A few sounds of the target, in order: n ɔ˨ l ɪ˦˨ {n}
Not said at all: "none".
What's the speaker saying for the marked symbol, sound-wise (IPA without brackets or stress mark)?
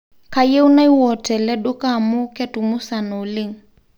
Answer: ŋ